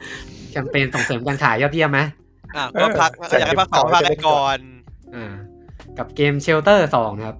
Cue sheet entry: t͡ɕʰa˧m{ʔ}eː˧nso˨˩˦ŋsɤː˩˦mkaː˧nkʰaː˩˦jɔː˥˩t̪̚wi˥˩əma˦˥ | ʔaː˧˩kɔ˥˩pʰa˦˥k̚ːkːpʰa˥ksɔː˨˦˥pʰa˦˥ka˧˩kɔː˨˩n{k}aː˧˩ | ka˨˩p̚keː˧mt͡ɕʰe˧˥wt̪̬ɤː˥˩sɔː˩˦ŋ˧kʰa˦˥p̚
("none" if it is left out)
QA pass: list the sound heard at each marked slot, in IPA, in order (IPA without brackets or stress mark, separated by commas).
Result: p, ʔ